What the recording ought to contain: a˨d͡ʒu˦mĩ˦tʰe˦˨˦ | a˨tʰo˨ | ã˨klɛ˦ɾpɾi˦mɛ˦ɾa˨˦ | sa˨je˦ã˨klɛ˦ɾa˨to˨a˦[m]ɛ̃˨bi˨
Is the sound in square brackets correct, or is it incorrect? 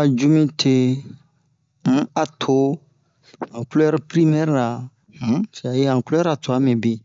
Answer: correct